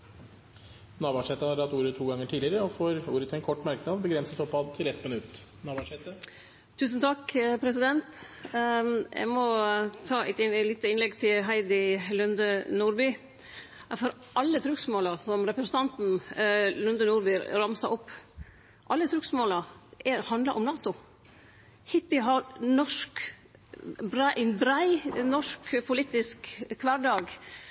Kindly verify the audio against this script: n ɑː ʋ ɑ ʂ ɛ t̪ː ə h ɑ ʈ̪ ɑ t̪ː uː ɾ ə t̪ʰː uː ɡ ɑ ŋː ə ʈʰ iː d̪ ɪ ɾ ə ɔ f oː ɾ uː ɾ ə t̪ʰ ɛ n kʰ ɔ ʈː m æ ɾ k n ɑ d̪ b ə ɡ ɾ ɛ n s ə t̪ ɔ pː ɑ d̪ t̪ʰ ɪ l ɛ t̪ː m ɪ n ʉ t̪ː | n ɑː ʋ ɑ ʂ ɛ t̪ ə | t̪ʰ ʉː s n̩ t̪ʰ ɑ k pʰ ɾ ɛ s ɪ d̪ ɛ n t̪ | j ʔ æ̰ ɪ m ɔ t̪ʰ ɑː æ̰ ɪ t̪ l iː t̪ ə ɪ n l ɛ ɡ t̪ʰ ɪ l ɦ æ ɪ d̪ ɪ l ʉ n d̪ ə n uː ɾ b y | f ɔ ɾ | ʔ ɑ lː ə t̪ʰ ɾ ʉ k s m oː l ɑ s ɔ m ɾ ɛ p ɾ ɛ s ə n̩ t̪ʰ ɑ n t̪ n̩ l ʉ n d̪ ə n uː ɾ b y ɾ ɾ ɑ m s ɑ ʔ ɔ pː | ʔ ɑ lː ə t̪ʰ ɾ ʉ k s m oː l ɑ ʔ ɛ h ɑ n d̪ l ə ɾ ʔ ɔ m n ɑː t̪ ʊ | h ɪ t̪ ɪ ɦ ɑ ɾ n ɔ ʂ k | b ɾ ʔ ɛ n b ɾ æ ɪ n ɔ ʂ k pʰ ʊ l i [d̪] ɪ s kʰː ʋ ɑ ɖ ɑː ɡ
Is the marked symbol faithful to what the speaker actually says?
no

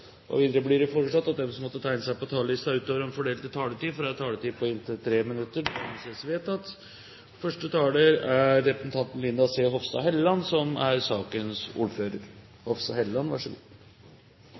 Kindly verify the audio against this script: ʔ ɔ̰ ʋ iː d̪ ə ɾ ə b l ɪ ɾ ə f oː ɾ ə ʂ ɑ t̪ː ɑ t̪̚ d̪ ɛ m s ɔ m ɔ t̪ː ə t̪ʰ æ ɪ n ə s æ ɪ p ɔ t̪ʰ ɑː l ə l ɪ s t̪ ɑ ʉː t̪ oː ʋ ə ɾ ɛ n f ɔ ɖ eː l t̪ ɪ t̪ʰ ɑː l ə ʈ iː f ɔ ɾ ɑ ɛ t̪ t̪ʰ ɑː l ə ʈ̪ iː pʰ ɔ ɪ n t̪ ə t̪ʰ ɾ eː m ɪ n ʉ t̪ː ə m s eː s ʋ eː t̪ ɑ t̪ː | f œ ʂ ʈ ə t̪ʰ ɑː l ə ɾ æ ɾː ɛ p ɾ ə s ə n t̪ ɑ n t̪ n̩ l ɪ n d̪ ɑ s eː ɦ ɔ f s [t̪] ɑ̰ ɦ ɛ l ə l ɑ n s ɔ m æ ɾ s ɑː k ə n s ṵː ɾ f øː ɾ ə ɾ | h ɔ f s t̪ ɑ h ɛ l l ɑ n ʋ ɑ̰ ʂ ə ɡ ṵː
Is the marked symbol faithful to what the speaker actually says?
yes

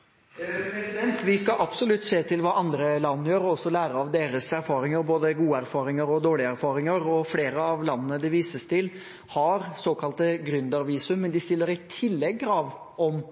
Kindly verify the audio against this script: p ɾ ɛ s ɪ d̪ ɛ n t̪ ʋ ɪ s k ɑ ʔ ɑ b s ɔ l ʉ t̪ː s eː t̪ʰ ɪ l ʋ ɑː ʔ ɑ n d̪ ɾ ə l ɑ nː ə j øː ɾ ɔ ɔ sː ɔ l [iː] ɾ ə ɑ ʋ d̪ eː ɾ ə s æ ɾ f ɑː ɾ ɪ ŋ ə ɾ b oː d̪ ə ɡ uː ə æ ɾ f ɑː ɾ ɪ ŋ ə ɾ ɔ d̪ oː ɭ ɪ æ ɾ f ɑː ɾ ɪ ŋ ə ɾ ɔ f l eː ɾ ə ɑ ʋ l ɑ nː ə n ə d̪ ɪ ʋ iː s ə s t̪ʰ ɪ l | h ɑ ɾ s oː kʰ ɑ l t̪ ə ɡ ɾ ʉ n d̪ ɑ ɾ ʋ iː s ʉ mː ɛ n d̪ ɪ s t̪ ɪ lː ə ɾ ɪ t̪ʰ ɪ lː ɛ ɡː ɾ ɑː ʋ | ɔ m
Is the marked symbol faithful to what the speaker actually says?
no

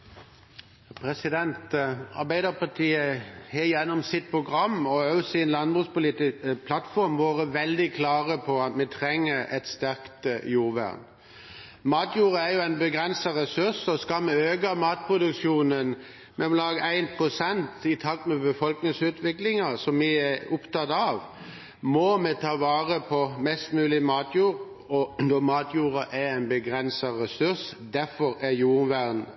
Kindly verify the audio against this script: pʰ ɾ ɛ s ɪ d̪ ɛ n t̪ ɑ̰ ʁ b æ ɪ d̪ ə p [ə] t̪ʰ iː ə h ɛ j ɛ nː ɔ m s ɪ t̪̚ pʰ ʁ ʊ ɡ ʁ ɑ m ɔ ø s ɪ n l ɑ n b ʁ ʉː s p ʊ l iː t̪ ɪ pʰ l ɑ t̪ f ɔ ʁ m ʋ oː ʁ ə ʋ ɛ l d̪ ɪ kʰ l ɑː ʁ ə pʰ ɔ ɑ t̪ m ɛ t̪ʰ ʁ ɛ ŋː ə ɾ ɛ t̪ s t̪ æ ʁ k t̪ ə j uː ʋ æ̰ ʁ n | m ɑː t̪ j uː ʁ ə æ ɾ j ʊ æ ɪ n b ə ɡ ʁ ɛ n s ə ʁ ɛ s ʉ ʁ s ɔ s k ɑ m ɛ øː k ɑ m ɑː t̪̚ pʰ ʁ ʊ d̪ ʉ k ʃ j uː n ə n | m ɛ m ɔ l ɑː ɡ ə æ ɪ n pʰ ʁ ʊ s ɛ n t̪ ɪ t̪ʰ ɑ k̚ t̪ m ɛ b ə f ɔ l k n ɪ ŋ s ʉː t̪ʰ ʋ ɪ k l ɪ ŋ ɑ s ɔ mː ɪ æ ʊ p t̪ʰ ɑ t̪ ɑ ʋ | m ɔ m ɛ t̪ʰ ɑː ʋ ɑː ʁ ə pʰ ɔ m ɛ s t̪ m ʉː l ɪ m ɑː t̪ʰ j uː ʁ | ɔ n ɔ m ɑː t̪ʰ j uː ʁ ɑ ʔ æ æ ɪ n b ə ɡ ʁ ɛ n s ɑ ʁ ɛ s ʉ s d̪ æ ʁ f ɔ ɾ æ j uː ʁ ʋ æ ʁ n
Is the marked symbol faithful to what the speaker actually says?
no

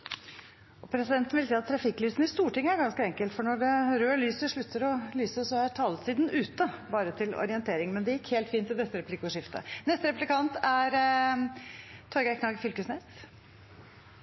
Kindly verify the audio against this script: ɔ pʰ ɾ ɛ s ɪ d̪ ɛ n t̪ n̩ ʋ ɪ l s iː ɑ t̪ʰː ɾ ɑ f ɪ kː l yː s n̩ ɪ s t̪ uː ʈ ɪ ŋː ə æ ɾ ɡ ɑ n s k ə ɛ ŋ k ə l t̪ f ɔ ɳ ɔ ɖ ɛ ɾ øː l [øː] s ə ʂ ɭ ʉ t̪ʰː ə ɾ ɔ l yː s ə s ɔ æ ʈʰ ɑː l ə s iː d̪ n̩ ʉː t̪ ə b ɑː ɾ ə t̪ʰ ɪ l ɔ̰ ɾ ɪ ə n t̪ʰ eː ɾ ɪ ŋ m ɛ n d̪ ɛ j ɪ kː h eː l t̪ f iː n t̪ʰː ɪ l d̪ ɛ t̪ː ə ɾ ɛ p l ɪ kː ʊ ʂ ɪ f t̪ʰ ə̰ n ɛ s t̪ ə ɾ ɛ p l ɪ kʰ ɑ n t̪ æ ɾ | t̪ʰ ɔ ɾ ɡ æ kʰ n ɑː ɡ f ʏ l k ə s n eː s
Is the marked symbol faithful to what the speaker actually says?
no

